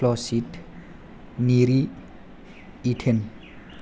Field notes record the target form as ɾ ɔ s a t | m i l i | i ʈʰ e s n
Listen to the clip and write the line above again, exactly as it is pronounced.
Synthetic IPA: l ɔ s i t | n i ɾ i | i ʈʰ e n